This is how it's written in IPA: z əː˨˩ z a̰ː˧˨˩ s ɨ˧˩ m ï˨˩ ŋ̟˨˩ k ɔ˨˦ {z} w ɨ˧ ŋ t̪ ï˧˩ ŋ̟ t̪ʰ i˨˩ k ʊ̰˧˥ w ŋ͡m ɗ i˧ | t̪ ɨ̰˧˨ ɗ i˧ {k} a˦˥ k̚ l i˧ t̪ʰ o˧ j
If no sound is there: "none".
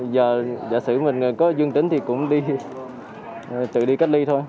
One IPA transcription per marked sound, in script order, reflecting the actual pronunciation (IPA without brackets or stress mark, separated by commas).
z, k